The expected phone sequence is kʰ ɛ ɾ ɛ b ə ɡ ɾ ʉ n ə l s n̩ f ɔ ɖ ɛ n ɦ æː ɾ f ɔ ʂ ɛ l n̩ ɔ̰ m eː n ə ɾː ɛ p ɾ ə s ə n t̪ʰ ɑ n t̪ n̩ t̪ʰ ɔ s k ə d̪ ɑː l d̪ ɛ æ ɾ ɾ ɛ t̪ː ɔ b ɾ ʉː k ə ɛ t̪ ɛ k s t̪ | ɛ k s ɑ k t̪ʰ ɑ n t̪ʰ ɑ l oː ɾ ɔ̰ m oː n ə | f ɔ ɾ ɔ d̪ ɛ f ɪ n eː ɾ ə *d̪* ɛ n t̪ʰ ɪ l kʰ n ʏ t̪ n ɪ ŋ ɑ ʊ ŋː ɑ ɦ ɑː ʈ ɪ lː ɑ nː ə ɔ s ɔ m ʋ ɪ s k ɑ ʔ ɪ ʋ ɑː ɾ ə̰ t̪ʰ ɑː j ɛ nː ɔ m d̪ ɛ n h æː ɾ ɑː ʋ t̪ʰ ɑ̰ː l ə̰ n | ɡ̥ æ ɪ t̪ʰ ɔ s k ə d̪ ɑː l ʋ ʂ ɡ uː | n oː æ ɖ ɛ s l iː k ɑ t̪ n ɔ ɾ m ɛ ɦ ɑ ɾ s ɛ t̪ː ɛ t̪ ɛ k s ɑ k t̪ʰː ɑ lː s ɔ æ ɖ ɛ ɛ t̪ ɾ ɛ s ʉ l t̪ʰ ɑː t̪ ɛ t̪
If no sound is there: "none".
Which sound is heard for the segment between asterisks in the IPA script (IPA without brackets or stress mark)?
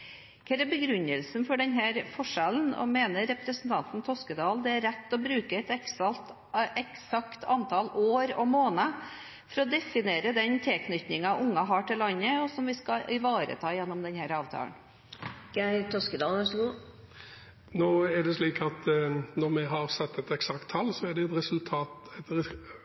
d̪